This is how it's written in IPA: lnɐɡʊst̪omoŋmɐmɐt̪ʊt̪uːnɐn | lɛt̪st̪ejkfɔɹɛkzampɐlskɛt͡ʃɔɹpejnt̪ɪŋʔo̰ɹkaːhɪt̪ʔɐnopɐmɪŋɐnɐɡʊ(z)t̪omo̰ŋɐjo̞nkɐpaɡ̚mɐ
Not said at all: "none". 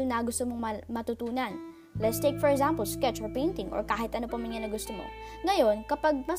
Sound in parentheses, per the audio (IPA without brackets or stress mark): s